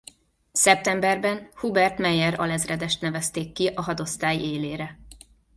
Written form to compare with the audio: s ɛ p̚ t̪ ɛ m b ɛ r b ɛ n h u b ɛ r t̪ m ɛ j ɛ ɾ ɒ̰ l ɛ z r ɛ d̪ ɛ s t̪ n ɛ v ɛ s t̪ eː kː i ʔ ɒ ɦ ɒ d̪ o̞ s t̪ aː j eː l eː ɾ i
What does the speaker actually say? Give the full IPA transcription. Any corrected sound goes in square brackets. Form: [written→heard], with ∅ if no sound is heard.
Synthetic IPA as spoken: s ɛ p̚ t̪ ɛ m b ɛ r b ɛ n h u b ɛ r t̪ m ɛ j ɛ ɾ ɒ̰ l ɛ z r ɛ d̪ ɛ [s→ʃ] t̪ n ɛ v ɛ s t̪ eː kː i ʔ ɒ ɦ ɒ d̪ o̞ s t̪ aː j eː l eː ɾ [i→ɛ]